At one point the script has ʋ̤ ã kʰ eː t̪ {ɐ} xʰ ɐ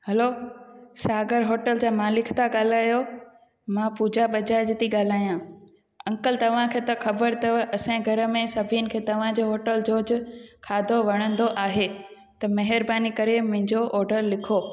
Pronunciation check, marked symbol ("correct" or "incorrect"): correct